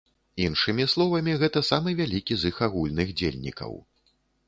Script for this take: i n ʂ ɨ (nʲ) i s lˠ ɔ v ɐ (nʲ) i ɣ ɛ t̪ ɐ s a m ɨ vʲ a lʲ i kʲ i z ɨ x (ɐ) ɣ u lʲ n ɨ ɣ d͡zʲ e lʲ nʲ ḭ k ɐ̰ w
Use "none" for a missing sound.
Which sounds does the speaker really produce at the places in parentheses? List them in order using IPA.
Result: mʲ, mʲ, a

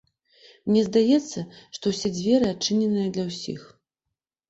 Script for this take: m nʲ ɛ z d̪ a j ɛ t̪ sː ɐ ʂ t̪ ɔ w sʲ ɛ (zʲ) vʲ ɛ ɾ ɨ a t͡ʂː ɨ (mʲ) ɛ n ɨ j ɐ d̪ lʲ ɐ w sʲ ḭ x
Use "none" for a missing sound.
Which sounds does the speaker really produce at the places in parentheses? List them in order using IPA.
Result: d͡zʲ, nʲ

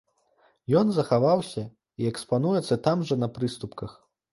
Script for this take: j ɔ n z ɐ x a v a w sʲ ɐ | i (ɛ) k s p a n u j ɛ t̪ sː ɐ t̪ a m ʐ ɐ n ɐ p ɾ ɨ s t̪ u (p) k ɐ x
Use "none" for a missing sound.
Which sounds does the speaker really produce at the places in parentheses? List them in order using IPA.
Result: ɛ, p

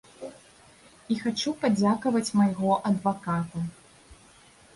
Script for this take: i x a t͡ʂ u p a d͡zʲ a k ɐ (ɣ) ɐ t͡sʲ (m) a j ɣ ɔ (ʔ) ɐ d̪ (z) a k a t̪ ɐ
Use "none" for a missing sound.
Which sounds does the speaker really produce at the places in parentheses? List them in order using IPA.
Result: v, m, ʔ, v

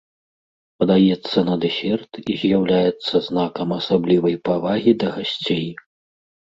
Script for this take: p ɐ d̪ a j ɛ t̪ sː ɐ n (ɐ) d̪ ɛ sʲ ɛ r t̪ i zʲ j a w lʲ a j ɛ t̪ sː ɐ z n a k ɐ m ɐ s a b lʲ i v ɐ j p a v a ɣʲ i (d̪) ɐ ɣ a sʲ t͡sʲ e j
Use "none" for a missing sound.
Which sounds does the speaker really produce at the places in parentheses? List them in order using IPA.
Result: ɐ, d̪

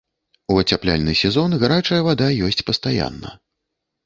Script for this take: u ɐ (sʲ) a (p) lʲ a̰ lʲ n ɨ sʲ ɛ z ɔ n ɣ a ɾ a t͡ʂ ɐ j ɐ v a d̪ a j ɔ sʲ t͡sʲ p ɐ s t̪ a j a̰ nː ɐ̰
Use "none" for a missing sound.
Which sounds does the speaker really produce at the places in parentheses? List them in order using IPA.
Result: t͡sʲ, p

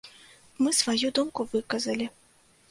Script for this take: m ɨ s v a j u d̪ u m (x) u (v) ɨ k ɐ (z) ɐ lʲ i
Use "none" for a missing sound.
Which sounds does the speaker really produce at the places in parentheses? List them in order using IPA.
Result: k, v, z

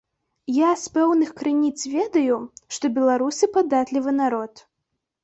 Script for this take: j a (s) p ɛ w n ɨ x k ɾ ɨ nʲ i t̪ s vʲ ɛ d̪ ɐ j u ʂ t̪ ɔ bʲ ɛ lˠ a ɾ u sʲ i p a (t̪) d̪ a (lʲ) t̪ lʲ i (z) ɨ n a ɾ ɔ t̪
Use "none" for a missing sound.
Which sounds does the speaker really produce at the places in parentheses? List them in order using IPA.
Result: s, none, none, v

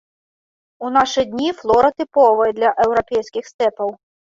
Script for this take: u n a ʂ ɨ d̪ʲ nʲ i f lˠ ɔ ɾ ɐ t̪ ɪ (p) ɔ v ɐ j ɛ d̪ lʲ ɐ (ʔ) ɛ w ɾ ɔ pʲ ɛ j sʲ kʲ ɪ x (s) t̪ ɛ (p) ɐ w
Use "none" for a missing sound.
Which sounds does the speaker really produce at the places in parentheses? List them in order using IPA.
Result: p, ʔ, s, p

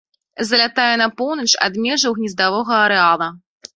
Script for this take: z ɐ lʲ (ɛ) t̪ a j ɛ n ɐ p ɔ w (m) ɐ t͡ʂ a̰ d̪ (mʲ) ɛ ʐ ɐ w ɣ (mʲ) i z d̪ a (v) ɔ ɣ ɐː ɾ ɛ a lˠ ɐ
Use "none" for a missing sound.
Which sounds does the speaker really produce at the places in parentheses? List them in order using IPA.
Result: a, n, mʲ, nʲ, v

